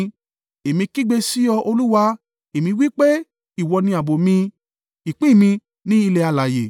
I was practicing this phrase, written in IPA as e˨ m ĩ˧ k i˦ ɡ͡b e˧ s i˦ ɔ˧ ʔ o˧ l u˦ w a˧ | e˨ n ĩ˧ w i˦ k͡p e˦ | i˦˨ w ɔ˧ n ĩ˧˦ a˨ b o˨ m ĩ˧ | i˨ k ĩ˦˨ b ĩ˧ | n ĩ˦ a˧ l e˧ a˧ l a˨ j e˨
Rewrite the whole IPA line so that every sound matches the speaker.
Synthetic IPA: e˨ m ĩ˧ k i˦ ɡ͡b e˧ s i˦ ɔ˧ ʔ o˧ l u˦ w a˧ | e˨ m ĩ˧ w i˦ k͡p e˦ | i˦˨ w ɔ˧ n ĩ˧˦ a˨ b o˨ m ĩ˧ | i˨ k͡p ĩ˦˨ m ĩ˧ | n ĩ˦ i˧ l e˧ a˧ l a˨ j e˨